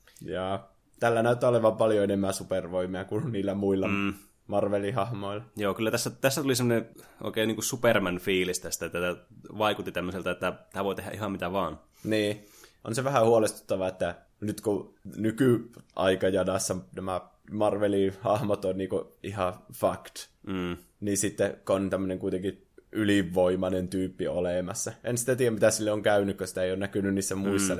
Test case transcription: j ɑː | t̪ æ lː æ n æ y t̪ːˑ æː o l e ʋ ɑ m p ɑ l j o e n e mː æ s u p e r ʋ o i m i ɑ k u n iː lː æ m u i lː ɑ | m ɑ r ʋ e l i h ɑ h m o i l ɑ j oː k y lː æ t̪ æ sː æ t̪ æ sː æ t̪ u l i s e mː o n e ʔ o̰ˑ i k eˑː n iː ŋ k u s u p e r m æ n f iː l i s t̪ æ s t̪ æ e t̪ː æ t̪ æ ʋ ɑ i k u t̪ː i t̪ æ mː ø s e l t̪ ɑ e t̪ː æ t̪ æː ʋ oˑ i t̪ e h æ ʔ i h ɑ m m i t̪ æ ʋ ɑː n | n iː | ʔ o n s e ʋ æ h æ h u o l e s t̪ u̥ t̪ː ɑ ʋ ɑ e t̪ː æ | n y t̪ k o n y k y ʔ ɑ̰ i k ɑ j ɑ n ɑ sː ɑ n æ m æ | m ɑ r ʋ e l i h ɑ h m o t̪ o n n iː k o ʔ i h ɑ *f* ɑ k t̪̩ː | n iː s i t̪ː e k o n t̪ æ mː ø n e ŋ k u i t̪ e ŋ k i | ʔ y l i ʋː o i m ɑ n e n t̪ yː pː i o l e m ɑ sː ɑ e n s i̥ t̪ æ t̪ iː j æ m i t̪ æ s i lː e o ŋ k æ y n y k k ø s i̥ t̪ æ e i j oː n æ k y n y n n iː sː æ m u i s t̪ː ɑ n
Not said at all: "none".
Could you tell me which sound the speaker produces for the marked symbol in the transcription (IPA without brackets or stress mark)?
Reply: f